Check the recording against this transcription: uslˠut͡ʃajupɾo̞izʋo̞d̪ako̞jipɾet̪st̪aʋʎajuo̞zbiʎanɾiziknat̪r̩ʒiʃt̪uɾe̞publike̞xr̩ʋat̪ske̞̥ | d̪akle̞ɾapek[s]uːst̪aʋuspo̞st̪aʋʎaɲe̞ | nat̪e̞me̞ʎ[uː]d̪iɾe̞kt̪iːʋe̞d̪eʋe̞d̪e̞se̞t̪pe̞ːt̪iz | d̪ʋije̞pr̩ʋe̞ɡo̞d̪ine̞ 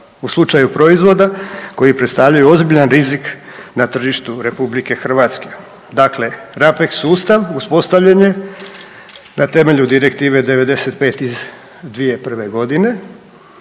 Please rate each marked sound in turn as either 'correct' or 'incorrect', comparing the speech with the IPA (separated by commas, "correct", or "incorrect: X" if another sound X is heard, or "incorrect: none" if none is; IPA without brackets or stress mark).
correct, incorrect: u